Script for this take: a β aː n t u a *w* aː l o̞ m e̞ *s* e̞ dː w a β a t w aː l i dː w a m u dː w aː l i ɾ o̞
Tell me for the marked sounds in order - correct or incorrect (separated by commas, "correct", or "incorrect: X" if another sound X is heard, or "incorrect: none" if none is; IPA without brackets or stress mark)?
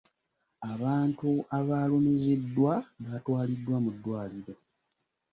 incorrect: β, incorrect: z